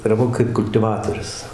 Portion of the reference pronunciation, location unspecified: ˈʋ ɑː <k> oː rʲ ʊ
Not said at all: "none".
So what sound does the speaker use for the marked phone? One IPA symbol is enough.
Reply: t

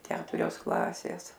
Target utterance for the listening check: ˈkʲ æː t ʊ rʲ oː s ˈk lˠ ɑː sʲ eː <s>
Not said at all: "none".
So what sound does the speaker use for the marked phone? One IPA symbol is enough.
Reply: s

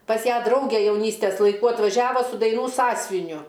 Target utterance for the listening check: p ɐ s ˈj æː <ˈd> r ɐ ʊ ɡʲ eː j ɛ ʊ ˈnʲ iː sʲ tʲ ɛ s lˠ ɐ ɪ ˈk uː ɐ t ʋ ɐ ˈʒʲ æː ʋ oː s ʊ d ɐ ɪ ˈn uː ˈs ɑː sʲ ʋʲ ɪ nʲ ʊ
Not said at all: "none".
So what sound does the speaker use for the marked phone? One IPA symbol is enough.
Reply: d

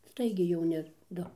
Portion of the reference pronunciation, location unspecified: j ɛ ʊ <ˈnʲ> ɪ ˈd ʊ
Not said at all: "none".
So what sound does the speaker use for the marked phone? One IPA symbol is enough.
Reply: nʲ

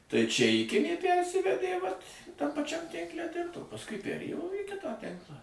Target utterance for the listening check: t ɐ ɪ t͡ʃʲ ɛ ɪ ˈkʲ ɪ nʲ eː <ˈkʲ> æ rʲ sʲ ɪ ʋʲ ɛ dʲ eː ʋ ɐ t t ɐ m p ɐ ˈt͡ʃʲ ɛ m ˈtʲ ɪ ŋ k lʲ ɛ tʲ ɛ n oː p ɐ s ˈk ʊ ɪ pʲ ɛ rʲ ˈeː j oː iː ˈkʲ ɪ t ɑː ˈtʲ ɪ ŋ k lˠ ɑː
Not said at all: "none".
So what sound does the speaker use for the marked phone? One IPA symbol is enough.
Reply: pʲ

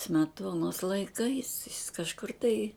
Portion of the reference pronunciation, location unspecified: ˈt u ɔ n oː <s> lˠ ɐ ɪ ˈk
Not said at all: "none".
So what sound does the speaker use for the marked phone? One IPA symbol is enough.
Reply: s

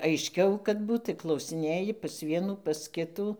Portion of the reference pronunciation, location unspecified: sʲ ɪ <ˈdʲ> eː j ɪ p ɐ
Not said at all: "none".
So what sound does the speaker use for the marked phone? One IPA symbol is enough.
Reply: nʲ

